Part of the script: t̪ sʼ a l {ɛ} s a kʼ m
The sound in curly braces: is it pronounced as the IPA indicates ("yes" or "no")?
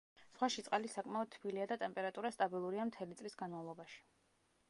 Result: no